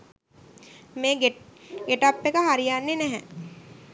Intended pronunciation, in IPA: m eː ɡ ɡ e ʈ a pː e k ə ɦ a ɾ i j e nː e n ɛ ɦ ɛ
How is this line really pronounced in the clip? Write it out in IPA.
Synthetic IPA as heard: m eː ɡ ɡ e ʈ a pː e k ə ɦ a ɾ i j a nː e n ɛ ɦ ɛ